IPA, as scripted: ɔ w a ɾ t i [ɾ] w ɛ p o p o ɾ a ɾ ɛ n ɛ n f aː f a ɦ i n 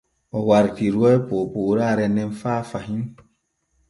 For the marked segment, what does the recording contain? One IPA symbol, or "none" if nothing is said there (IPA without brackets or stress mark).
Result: ɾ